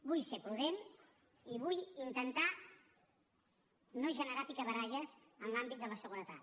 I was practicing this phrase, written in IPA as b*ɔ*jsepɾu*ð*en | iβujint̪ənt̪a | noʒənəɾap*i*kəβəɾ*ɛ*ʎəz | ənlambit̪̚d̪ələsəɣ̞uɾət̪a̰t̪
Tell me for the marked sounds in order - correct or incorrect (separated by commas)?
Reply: incorrect, correct, correct, incorrect